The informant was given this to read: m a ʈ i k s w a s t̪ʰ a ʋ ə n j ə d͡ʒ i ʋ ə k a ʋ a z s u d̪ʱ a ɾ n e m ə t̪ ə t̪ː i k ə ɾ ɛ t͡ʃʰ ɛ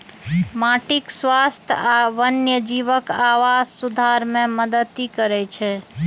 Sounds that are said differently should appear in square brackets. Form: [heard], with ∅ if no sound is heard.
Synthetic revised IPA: m a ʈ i k s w a s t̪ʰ a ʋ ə n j ə d͡ʒ i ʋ ə k a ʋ a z s u d̪ʱ a ɾ [m] e m ə [d̪] ə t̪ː i k ə ɾ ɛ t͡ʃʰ ɛ